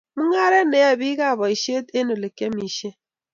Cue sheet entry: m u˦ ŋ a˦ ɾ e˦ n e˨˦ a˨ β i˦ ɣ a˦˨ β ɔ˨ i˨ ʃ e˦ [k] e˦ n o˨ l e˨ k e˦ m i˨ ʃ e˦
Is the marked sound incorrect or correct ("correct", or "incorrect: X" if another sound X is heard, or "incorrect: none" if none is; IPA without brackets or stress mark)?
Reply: incorrect: t